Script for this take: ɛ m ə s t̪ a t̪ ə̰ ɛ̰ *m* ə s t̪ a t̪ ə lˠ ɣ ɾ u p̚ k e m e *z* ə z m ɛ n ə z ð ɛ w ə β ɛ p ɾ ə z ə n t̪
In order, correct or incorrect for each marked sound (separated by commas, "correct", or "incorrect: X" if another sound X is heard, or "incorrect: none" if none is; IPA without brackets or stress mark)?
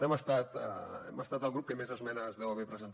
correct, correct